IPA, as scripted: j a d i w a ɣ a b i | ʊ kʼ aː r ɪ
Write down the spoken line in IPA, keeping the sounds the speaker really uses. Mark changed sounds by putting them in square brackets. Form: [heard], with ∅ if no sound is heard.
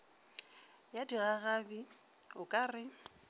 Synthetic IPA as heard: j a d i [ɣ] a ɣ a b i | ʊ kʼ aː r ɪ